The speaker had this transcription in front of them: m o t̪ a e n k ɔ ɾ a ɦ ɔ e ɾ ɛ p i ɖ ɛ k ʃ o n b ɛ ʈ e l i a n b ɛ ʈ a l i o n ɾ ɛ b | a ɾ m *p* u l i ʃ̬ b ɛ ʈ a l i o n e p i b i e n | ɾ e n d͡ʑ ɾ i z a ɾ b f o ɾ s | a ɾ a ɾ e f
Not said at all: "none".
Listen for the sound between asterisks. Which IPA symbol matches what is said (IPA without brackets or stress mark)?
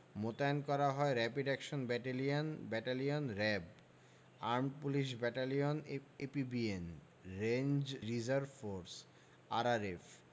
p